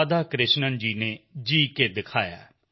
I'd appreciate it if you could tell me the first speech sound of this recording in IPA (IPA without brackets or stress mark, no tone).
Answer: d̪